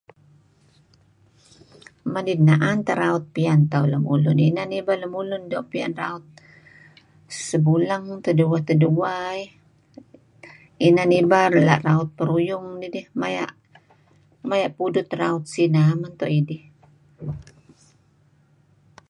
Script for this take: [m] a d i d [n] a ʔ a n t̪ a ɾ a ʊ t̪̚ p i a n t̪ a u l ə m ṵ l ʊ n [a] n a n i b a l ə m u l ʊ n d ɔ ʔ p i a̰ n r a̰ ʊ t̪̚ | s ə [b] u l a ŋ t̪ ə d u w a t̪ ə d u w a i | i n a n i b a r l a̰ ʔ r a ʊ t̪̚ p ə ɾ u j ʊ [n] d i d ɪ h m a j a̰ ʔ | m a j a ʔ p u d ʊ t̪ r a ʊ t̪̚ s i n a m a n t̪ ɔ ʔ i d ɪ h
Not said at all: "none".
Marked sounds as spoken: m, n, i, b, ŋ

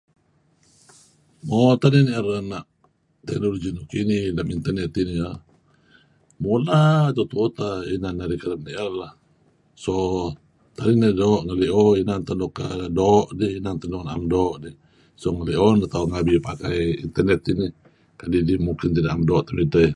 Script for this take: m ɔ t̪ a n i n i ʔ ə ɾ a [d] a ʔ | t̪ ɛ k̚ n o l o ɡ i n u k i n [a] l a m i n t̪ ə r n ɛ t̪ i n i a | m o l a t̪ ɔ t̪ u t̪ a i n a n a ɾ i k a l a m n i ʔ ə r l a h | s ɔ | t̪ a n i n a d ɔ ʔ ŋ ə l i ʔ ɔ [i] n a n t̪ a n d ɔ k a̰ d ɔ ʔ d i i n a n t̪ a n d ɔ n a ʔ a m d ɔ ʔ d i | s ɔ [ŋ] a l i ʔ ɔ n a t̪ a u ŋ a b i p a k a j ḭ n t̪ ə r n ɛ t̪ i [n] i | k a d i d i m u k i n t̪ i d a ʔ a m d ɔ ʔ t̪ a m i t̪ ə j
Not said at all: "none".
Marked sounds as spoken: n, i, i, ŋ, n

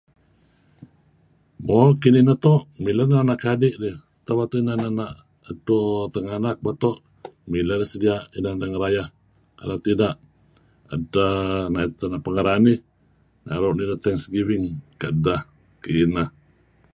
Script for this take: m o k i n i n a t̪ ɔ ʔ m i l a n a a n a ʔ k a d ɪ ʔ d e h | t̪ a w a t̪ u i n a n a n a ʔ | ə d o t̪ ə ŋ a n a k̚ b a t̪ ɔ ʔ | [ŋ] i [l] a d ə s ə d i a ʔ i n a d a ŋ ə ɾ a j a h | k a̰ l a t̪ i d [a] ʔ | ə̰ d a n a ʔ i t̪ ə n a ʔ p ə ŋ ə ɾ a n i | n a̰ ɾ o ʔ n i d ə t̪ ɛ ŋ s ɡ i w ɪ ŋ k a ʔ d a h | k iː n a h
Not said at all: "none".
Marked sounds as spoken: m, l, a

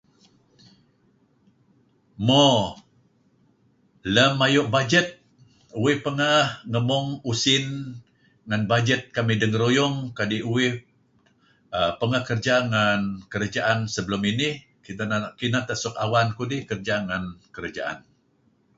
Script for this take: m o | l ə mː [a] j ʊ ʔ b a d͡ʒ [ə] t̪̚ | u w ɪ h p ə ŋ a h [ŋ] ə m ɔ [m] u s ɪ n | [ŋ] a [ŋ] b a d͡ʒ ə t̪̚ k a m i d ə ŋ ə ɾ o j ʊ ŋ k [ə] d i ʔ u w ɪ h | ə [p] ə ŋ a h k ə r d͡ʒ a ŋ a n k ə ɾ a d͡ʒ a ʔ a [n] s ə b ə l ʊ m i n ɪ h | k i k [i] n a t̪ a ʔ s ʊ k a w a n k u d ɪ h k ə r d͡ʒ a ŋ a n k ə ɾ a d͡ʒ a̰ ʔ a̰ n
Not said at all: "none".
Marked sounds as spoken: a, ə, ŋ, ŋ, ŋ, n, a, p, n, i

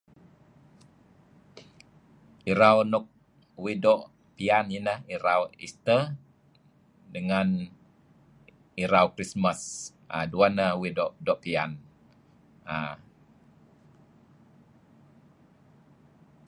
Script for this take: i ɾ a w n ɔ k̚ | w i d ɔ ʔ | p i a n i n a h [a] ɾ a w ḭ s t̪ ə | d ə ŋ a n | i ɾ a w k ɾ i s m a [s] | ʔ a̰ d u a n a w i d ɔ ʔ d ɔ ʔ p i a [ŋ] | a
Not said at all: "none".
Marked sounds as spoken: i, s, n

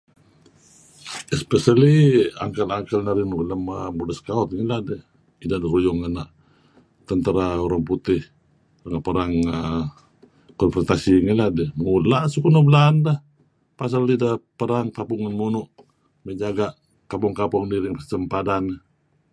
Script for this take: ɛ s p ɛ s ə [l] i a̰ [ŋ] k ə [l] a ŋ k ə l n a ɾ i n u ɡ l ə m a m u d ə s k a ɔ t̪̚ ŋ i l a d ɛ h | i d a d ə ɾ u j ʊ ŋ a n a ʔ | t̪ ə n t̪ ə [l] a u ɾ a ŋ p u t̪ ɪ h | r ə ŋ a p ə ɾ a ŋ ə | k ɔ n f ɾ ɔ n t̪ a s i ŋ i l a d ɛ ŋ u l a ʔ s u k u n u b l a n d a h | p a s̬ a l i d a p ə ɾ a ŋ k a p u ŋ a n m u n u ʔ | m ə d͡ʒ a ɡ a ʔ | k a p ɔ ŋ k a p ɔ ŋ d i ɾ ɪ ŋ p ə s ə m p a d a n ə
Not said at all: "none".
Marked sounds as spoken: l, ŋ, l, ɾ

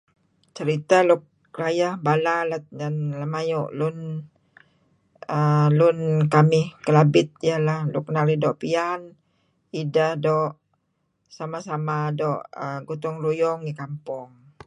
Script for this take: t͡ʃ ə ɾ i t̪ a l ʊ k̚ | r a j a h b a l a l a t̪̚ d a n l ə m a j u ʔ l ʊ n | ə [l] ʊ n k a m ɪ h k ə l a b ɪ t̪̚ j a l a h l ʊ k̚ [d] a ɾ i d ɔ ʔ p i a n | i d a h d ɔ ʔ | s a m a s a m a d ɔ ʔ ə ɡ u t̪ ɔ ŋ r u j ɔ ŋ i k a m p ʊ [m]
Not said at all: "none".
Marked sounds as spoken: l, n, ŋ

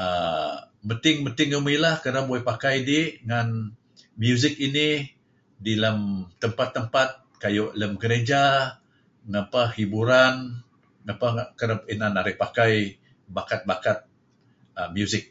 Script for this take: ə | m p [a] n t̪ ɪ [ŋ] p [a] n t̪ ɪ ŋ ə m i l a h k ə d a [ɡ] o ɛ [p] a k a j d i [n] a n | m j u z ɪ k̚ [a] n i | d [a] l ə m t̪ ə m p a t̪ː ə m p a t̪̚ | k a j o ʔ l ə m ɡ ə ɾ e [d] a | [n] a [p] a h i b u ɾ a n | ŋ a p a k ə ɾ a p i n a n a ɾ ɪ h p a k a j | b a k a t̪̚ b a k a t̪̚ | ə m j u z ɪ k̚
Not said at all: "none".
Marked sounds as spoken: ə, ŋ, ə, b, p, ŋ, i, i, d͡ʒ, ŋ, p

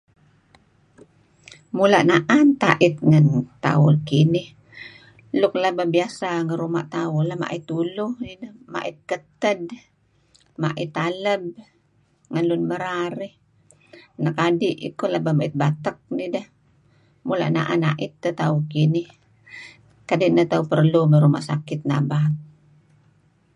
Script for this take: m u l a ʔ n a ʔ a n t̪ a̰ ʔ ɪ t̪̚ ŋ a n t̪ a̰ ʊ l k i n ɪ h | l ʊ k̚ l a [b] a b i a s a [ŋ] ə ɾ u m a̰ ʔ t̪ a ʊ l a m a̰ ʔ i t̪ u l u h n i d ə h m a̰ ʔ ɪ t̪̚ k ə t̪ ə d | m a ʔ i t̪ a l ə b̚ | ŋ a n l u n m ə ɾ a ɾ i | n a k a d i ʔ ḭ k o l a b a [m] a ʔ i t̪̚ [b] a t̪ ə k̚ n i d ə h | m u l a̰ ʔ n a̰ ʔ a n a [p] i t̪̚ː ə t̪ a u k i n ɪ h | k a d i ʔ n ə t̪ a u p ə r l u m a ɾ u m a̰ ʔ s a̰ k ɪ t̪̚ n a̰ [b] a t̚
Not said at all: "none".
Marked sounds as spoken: b, ŋ, m, b, ʔ, b

